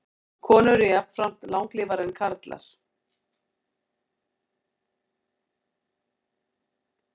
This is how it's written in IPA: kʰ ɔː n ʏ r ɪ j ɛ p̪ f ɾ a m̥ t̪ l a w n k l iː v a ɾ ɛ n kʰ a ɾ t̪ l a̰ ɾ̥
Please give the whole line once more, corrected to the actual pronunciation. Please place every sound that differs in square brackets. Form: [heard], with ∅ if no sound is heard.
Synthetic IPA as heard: kʰ ɔː n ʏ [ɾ] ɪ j [a] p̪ f ɾ a m̥ t̪ l a w [ŋ] k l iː v a ɾ ɛ n kʰ a ɾ t̪ l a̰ ɾ̥